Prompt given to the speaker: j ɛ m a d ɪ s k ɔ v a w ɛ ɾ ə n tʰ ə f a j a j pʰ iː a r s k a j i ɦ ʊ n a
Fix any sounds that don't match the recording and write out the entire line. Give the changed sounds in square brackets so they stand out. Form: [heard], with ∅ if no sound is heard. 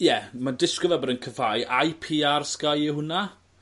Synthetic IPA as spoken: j ɛ m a d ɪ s k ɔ v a [b] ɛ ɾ ə n [kʰ] ə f a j a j pʰ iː a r s k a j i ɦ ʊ n a